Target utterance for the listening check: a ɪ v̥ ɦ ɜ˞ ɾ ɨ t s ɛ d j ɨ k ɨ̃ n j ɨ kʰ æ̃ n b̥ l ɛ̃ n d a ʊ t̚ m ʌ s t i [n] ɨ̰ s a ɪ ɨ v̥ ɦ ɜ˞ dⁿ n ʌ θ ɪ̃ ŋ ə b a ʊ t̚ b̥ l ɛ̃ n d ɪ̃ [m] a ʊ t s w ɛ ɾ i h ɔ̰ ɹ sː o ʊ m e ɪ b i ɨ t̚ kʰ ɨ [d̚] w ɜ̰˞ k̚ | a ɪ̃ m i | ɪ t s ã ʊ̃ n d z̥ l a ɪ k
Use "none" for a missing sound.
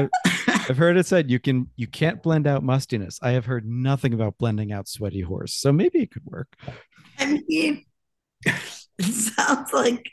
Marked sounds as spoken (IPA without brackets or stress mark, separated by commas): n, ŋ, d̚